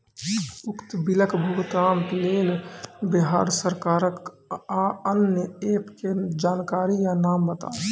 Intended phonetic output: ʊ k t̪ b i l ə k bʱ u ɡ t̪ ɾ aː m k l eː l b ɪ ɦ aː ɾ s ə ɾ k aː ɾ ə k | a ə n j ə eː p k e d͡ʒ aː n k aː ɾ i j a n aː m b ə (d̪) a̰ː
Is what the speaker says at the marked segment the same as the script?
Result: no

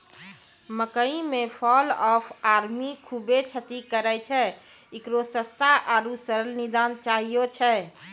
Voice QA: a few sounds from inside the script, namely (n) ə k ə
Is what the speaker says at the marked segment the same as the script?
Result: no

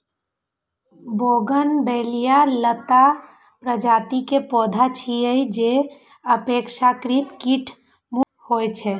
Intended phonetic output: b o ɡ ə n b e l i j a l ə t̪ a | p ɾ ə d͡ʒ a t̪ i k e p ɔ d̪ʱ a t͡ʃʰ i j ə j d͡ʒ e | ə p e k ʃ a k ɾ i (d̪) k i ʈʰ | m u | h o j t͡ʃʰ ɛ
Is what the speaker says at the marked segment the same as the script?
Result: no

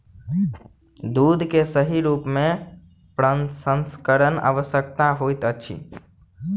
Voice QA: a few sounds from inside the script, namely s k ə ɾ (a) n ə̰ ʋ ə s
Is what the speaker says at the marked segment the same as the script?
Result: no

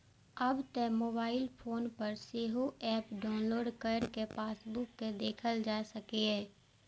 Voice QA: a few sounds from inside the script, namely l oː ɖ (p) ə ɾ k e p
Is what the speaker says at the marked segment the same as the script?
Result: no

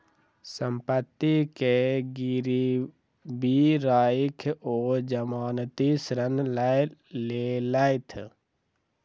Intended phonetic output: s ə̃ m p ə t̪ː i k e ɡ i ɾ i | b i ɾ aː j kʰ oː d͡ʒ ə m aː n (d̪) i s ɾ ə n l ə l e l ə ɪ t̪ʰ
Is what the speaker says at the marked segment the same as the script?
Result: no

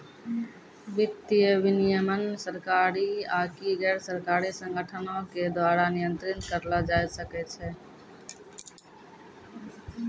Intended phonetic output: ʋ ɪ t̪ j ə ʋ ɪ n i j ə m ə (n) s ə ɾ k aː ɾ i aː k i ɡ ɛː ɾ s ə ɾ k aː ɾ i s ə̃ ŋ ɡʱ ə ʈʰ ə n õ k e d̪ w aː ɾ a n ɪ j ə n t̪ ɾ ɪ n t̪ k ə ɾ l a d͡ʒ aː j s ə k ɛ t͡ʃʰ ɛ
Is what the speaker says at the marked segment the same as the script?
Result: yes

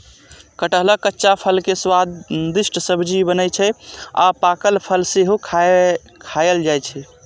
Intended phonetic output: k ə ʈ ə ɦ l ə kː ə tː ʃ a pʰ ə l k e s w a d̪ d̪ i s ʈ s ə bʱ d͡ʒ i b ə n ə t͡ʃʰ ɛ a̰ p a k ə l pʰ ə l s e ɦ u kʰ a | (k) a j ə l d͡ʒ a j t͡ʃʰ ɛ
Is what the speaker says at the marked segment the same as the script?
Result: no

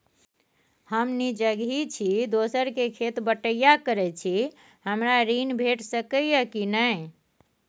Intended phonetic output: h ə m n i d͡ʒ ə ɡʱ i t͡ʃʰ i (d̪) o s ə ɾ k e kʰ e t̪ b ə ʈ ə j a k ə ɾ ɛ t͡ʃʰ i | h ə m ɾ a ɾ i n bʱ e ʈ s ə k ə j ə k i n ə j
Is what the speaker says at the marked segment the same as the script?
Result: yes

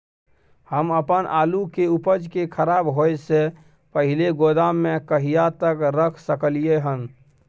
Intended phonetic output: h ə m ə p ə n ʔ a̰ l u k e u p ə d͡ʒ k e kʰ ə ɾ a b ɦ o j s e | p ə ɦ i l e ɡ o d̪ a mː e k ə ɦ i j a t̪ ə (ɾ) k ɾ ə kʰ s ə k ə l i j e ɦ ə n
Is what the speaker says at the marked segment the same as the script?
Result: no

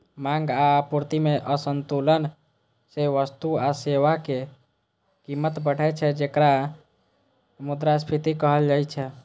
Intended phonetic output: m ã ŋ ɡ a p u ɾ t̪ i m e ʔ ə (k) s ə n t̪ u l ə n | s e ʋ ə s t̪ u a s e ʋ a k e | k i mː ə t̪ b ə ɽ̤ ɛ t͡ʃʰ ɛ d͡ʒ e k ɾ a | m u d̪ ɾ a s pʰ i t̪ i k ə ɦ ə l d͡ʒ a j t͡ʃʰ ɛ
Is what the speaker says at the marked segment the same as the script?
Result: no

